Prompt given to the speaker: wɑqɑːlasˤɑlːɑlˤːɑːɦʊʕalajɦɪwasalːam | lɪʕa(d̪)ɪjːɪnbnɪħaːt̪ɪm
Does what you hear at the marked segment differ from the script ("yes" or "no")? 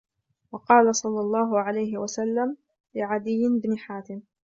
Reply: no